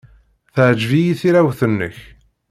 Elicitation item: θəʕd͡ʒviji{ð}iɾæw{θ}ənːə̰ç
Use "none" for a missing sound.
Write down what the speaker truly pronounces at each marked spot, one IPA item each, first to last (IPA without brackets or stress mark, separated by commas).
θ, θ